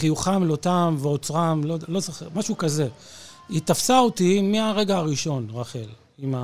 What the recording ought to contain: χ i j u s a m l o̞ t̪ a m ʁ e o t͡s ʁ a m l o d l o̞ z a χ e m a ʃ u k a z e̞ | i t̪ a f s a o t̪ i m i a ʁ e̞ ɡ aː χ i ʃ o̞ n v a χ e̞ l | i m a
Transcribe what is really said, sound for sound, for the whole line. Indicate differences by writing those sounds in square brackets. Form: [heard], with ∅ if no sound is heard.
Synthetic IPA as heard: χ i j u [χ] a m l o̞ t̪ a m [v] e o t͡s ʁ a m l o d l o̞ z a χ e m a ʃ u k a z e̞ | i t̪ a f s a o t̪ i m i a ʁ e̞ ɡ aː [ʁ] i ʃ o̞ n [ʁ] a χ e̞ l | i m a